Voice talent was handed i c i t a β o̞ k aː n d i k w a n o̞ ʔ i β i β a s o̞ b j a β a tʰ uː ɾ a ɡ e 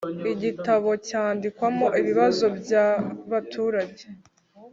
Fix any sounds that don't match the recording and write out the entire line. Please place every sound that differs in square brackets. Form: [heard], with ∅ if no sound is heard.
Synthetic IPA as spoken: i [ɟ] i t a β o̞ [c] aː n d i k w a [m] o̞ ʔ i β i β a [z] o̞ b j a β a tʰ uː ɾ a [ɟ] e

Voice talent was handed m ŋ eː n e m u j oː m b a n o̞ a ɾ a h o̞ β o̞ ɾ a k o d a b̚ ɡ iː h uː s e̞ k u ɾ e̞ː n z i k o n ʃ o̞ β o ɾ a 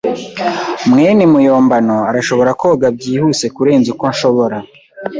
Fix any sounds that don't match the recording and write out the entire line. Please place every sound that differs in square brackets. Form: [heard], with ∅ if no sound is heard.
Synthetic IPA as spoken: m ŋ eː n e m u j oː m b a n o̞ a ɾ a [ʃ] o̞ β o̞ ɾ a k o [ɡ] a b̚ [ɟ] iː h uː s e̞ k u ɾ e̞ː n z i k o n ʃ o̞ β o ɾ a

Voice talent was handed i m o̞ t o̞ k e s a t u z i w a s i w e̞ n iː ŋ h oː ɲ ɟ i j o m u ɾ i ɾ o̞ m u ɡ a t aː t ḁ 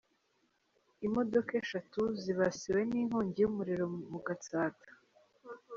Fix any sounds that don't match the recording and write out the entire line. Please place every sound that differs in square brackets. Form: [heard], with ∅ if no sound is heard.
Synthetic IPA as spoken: i m o̞ [d] o̞ k e [ʃ] a t u z i [β] a s i w e̞ n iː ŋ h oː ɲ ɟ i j [u] m u ɾ i ɾ o̞ m u ɡ a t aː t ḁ

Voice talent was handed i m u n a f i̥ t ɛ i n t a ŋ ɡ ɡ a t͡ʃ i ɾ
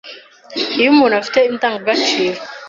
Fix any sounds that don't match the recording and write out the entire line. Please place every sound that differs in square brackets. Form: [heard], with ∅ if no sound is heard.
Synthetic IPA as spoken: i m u n a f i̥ t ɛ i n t a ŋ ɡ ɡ a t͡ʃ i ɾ

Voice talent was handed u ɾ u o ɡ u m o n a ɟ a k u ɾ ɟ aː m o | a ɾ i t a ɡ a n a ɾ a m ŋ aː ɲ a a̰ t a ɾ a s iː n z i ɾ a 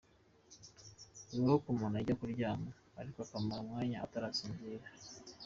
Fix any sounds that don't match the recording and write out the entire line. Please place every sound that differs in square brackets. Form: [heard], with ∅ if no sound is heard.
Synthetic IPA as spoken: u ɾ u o [k] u m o n a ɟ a k u ɾ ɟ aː m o | a ɾ i [k] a [k] a [m] a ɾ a m ŋ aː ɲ a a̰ t a ɾ a s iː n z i ɾ a

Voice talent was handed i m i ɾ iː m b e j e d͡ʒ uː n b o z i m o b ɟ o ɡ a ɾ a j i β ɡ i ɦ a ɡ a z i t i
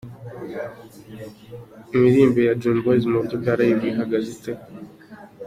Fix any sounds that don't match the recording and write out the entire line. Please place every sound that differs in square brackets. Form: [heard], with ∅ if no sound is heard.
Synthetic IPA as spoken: i m i ɾ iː m b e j [a] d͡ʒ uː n b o z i m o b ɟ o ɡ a ɾ a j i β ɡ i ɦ a ɡ a z i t [e]

